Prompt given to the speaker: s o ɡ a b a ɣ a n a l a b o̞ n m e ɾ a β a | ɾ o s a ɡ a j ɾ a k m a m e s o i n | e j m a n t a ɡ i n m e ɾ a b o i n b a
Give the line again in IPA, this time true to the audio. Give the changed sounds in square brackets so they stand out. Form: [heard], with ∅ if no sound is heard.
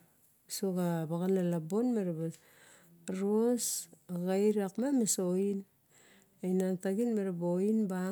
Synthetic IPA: s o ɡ a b a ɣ a n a l a b o̞ n m e ɾ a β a | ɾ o s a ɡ a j ɾ a k m a m e s o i n | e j [n] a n t a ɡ i n m e ɾ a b o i n b a